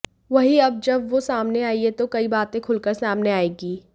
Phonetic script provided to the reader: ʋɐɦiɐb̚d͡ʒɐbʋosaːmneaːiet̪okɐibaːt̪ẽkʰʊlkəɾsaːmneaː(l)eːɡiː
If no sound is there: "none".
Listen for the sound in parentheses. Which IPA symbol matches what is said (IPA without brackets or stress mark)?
none